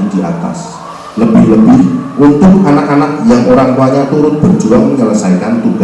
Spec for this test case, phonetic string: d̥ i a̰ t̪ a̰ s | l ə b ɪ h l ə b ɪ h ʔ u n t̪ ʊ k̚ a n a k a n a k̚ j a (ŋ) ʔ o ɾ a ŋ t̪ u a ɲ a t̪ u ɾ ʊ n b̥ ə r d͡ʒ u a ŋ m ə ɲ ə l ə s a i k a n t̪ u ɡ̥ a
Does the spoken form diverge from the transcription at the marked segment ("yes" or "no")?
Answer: no